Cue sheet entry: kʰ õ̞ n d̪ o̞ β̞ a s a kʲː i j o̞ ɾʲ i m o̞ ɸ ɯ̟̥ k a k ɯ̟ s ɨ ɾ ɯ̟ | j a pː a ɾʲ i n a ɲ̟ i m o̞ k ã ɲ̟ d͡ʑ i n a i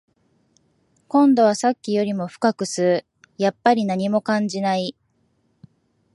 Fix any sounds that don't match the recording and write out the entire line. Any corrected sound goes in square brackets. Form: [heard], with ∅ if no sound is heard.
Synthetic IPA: [k] õ̞ n d̪ o̞ β̞ a s a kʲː i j o̞ ɾʲ i m o̞ ɸ ɯ̟̥ k a k ɯ̟ s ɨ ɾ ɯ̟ | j a pː a ɾʲ i n a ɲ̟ i m o̞ k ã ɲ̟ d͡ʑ i n a i